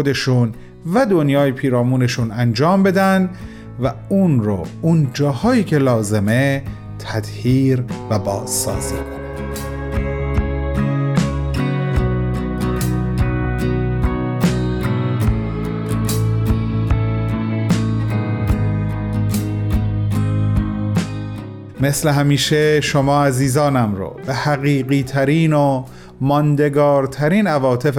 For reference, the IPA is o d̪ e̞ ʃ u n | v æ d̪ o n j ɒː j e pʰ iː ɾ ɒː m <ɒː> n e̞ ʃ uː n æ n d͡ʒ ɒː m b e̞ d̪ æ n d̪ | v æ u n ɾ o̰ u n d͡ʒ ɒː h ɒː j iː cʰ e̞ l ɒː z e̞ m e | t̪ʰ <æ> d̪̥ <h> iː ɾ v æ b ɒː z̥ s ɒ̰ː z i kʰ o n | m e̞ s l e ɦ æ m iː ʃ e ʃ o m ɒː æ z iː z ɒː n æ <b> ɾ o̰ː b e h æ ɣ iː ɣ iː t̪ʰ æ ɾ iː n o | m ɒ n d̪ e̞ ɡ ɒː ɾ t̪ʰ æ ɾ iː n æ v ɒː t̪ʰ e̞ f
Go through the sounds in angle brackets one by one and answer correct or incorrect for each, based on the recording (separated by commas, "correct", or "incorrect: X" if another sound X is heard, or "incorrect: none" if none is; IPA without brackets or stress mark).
incorrect: uː, correct, correct, incorrect: m